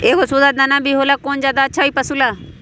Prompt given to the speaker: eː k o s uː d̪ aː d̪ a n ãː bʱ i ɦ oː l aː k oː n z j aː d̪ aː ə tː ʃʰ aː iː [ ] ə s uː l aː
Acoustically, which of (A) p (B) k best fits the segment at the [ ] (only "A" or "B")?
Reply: A